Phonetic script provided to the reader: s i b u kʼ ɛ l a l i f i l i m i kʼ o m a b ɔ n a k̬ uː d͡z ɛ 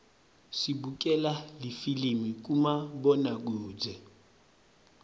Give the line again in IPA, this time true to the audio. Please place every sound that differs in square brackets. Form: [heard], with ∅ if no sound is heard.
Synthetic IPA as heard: s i b u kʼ ɛ l a l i f i l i m i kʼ [u] m a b ɔ n a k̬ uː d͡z ɛ